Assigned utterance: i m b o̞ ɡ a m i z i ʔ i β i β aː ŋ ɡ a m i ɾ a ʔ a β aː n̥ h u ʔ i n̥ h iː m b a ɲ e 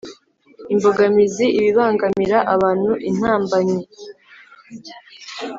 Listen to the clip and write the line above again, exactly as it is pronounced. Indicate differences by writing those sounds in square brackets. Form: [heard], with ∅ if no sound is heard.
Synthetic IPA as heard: i m b o̞ ɡ a m i z i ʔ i β i β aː ŋ ɡ a m i ɾ a ʔ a β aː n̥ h u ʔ i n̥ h [aː] m b a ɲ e